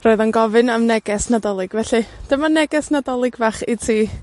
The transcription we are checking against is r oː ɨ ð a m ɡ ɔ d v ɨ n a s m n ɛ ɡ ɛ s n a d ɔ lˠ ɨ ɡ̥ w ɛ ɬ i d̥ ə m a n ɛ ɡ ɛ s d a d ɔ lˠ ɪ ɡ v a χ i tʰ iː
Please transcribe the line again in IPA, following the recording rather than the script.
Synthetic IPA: r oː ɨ ð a n ɡ ɔ v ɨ n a m n ɛ ɡ ɛ s n a d ɔ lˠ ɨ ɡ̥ v ɛ ɬ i d̥ ə m a n ɛ ɡ ɛ s n a d ɔ lˠ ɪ ɡ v a χ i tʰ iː